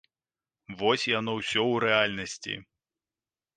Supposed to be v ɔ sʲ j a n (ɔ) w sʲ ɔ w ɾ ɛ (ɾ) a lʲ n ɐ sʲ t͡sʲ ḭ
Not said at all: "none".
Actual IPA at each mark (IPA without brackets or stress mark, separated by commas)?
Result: ɔ, none